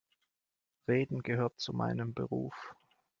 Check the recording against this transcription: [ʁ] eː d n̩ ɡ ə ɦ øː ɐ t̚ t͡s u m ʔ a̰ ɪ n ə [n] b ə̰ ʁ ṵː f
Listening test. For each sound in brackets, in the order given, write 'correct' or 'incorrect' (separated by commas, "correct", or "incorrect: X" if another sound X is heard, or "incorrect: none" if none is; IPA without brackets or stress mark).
correct, incorrect: m